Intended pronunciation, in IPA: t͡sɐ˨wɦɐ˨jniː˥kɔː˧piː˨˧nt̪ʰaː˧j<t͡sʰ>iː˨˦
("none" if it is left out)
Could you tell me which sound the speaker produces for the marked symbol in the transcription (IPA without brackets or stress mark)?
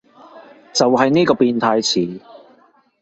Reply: t͡sʰ